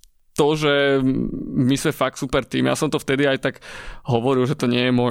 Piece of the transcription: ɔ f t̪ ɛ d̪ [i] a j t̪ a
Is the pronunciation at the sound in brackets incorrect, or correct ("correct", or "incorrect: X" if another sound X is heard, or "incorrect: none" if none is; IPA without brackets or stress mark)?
correct